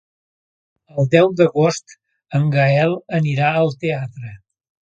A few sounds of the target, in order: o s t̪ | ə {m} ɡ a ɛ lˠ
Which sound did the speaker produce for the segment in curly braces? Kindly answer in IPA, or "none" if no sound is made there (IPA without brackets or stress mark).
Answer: ŋ